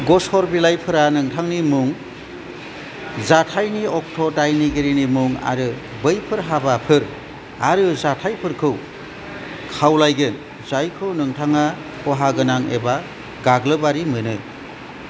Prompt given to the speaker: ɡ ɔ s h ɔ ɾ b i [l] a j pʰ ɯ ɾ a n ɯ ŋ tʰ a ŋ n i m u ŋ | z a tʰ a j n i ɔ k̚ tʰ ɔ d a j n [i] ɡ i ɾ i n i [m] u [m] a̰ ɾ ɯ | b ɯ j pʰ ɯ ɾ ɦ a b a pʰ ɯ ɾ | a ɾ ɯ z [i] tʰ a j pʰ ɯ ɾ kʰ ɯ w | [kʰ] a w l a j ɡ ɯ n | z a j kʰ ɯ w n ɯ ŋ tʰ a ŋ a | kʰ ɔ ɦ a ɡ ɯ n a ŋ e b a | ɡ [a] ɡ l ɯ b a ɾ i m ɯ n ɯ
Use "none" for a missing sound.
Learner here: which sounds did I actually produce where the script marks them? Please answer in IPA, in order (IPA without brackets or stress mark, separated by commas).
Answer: l, i, m, ŋ, a, kʰ, a